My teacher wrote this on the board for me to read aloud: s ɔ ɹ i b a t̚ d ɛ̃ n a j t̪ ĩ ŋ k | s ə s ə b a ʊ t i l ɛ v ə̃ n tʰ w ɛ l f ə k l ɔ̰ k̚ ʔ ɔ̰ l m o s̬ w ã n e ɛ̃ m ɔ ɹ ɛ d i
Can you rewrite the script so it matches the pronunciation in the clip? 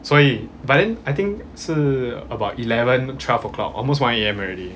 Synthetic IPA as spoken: s ɔ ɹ i b a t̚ d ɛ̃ n a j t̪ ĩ ŋ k | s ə ə b a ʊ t i l ɛ v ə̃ n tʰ w ɛ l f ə k l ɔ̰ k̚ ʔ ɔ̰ l m o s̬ w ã n e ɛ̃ m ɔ ɹ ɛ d i